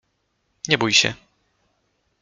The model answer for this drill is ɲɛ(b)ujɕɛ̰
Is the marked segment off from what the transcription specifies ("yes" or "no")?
no